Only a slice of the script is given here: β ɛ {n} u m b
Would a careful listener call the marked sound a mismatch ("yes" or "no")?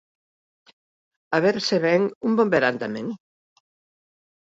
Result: yes